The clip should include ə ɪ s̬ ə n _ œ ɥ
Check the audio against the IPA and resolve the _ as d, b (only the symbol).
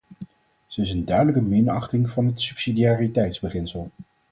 d